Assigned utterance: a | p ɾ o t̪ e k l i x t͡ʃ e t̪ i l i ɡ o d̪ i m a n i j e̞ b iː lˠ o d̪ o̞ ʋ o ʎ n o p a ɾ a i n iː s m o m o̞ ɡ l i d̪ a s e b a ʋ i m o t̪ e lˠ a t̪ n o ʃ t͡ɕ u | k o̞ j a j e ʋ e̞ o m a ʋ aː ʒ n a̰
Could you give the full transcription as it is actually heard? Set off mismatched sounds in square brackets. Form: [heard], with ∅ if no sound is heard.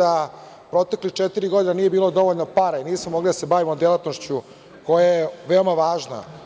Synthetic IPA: a | p ɾ o t̪ e k l i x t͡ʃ e t̪ i [ɾ] i ɡ o d̪ i [n] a n i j e̞ b iː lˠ o d̪ o̞ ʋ o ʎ n o p a ɾ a i n iː s m o m o̞ ɡ l i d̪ a s e b a ʋ i m o [d̪] e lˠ a t̪ n o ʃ t͡ɕ u | k o̞ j a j e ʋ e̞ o m a ʋ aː ʒ n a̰